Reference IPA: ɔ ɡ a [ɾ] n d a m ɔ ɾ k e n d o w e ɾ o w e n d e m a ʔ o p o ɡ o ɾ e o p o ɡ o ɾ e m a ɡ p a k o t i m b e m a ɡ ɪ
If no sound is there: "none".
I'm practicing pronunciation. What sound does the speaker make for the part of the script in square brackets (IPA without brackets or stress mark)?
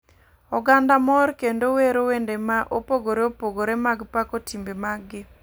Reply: none